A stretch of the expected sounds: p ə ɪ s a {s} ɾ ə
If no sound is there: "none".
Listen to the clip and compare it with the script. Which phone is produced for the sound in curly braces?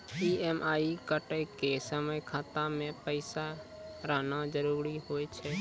none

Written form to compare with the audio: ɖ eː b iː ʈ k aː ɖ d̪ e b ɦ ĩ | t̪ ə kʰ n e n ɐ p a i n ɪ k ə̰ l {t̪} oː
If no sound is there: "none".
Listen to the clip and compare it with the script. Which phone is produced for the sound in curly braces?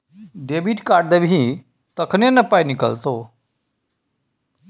t̪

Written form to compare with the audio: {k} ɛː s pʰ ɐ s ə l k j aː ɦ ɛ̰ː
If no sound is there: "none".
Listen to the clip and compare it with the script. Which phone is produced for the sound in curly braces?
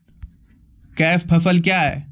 k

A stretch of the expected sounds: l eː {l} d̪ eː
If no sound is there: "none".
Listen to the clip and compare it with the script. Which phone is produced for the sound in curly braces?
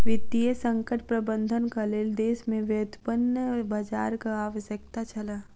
l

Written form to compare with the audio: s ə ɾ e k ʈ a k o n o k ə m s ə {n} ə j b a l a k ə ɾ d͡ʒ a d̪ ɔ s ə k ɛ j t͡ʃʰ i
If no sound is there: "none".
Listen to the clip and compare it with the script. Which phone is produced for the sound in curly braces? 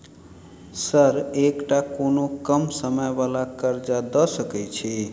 m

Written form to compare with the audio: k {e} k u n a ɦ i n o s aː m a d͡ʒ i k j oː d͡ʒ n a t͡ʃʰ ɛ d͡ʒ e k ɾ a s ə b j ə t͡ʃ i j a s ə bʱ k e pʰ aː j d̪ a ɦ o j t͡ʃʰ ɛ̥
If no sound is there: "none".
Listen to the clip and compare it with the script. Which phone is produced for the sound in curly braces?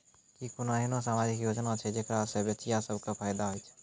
i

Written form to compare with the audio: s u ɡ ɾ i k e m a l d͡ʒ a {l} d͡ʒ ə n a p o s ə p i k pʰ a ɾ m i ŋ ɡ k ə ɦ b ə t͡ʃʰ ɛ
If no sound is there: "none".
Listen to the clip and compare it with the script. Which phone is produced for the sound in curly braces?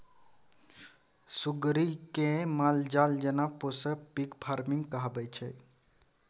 l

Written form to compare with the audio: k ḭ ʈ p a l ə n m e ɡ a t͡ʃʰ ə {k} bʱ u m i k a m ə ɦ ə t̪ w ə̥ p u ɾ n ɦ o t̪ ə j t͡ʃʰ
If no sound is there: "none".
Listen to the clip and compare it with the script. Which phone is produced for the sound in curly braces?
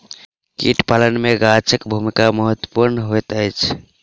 k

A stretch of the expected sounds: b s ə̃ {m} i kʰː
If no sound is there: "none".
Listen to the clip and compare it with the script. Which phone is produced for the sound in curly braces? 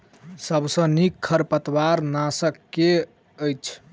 n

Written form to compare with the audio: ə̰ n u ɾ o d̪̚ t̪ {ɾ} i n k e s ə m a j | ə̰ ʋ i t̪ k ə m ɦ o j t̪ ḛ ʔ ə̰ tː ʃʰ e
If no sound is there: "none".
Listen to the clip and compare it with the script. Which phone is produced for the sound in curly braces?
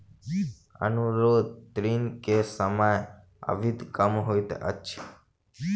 ɾ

